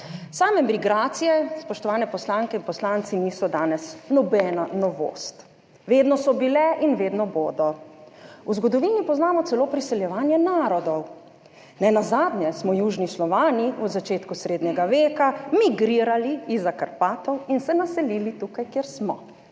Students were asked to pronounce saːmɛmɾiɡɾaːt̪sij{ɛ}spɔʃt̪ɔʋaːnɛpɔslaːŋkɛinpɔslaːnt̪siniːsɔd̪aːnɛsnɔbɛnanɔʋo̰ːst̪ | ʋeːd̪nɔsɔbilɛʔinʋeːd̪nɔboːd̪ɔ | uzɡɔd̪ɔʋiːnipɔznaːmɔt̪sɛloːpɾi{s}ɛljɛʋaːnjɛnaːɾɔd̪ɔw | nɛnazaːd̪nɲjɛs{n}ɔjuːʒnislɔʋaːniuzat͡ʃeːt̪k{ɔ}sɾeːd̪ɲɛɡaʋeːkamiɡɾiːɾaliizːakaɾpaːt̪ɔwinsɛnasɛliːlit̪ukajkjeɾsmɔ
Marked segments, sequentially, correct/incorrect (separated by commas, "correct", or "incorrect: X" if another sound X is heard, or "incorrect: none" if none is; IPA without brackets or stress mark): correct, correct, incorrect: m, incorrect: u